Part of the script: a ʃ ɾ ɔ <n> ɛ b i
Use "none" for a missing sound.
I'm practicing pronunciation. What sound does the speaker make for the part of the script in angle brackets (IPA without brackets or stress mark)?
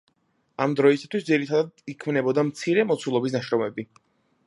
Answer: m